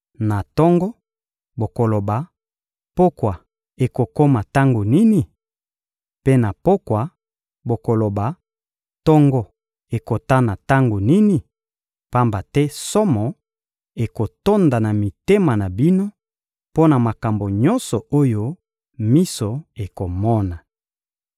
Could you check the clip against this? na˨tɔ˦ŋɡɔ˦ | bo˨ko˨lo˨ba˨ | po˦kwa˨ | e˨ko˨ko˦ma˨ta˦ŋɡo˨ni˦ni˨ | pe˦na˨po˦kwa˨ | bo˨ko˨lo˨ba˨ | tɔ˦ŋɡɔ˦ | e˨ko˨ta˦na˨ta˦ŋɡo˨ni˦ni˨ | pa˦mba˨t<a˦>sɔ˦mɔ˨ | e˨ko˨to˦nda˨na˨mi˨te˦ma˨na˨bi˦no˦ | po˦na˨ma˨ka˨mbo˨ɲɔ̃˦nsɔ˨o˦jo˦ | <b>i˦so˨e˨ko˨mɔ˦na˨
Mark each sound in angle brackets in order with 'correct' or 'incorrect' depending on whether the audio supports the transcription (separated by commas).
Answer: incorrect, incorrect